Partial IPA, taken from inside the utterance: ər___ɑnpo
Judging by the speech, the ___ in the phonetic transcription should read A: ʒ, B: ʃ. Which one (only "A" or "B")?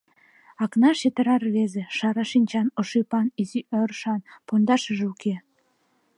B